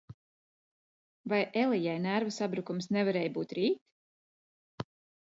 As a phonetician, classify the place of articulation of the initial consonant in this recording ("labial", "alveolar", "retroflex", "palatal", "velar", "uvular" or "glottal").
labial